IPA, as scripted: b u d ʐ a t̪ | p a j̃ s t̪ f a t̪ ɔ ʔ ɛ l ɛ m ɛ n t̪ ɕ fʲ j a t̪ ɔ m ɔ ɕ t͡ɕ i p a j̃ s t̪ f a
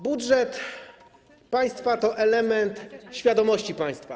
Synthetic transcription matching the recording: b u d ʐ ɛ t̪ | p a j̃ s t̪ f a t̪ ɔ ʔ ɛ l ɛ m ɛ n t̪ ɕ fʲ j a d̪ ɔ m ɔ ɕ t͡ɕ i p a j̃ s t̪ f a

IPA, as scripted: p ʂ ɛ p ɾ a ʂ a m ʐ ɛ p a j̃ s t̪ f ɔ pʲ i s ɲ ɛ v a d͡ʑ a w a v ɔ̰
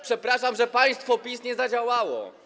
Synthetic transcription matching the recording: p ʂ ɛ p ɾ a ʂ a m ʐ ɛ p a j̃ s t̪ f ɔ pʲ i s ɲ ɛ z a d͡ʑ a w a w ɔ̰

